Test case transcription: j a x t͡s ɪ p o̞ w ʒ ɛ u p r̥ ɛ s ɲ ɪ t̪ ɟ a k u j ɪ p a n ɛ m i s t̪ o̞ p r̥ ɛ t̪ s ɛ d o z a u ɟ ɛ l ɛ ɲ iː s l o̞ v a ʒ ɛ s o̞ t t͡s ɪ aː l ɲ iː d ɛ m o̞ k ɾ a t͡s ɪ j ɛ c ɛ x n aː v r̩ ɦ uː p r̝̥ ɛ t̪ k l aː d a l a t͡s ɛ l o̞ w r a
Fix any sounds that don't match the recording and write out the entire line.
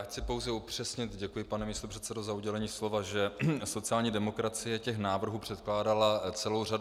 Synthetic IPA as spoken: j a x t͡s ɪ p o̞ w z ɛ u p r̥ ɛ s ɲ ɪ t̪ ɟ ɛ k u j ɪ p a n ɛ m i s t̪ o̞ p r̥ ɛ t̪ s ɛ d o z a u ɟ ɛ l ɛ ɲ iː s l o̞ v a ʒ ɛ s o̞ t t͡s ɪ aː l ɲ iː d ɛ m o̞ k ɾ a t͡s ɪ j ɛ c ɛ x n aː v r̩ ɦ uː p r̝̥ ɛ t̪ k l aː d a l a t͡s ɛ l o̞ w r a